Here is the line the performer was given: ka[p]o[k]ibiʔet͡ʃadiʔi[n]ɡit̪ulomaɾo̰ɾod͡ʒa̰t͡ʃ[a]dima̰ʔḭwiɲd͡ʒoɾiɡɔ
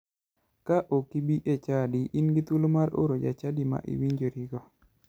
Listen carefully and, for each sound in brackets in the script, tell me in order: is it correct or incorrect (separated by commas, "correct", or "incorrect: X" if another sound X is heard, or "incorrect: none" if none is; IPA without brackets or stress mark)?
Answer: incorrect: ʔ, correct, correct, correct